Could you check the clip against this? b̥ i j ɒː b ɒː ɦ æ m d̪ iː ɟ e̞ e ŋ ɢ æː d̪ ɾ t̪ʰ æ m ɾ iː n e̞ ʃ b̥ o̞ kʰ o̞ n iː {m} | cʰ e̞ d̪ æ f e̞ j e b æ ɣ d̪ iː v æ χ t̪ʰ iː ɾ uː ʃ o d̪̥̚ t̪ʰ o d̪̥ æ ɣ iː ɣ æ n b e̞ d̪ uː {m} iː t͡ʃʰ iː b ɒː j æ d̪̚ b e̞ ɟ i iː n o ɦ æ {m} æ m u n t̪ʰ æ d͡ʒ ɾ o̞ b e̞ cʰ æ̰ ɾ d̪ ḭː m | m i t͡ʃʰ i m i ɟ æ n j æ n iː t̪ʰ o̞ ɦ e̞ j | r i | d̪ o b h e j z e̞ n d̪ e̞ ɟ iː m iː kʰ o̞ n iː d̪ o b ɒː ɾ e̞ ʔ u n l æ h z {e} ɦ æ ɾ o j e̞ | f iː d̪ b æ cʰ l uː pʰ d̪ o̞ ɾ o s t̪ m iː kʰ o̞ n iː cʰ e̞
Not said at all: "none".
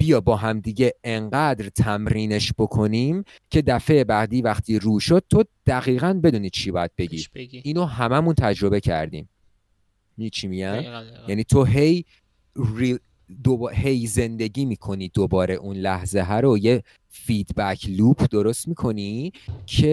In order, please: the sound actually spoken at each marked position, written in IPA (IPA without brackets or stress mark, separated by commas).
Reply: m, n, m, e